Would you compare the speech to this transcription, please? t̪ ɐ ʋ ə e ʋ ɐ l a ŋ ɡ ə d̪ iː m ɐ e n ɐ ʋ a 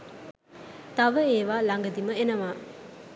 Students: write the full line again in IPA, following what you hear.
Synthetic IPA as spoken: t̪ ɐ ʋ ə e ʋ a l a ŋ ɡ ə d̪ i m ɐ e n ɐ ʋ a